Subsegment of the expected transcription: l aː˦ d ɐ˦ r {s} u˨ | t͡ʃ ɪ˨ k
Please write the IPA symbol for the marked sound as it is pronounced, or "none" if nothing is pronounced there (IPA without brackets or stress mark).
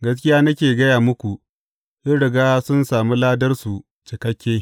s